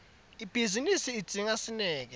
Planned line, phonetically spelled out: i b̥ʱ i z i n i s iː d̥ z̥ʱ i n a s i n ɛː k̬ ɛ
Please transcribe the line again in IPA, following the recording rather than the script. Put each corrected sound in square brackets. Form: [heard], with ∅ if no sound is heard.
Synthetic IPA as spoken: i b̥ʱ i z i n i s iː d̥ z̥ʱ i [ŋ] a s i n ɛː k̬ ɛ